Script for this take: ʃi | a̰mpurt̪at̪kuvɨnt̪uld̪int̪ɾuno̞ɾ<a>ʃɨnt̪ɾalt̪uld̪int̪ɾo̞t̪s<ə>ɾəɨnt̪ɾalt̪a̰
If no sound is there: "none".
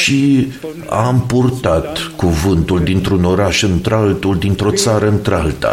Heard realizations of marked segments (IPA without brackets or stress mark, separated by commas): a, a